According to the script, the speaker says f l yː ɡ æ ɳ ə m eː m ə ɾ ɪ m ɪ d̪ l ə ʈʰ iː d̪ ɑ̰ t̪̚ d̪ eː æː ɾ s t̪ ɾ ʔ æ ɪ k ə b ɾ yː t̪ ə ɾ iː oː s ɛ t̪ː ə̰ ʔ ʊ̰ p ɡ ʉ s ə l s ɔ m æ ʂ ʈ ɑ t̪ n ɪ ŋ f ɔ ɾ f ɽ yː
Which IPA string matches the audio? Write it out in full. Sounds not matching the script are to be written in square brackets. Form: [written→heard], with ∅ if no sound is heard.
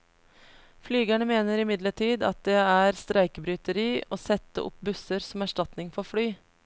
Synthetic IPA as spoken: f l yː ɡ æ ɳ ə m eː [m→n] ə ɾ ɪ m ɪ d̪ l ə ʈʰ iː d̪ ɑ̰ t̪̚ d̪ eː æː ɾ s t̪ ɾ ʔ æ ɪ k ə b ɾ yː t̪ ə ɾ iː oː s ɛ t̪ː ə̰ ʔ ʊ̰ p [ɡ→b] ʉ s ə [l→ɾ] s ɔ m æ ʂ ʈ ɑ t̪ n ɪ ŋ f ɔ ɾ f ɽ yː